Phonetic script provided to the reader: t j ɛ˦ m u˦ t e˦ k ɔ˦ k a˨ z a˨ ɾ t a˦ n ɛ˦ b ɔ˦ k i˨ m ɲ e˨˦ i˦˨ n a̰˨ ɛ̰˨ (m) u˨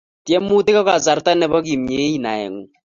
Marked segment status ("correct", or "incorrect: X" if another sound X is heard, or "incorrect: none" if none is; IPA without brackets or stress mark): incorrect: ŋ